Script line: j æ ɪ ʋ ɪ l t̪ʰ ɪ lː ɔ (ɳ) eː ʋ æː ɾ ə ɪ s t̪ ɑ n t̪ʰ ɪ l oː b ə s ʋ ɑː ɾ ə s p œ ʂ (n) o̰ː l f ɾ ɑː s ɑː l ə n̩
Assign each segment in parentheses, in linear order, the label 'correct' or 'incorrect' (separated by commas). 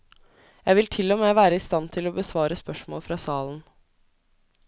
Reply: incorrect, incorrect